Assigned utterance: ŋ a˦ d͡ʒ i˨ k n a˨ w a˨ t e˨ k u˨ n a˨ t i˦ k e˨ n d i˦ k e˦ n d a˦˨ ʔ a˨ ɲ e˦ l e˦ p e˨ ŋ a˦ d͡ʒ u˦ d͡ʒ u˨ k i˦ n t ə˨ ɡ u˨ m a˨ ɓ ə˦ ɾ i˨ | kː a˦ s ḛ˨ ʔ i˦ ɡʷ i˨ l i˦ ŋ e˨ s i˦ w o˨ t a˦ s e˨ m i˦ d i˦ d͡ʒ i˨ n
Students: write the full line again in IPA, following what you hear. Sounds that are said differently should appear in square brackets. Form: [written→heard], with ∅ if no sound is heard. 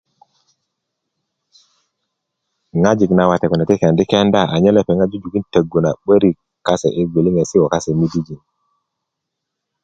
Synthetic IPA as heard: ŋ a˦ d͡ʒ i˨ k n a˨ w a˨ t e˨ k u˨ n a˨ t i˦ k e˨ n d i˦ k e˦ n d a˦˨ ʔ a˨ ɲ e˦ l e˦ p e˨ ŋ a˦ d͡ʒ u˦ d͡ʒ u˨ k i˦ n t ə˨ ɡ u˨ [m→n] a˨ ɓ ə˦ ɾ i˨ | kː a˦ s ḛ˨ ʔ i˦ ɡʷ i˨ l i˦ ŋ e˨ s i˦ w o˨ [t→k] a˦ s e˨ m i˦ d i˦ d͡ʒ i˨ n